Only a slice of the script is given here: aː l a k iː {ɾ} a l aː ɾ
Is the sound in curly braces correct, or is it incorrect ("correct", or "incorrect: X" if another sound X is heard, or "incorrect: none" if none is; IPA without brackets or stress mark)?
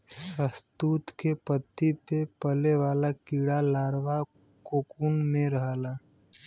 incorrect: ɽ